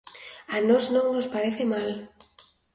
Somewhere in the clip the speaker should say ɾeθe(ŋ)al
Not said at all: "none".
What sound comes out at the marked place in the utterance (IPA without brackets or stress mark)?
m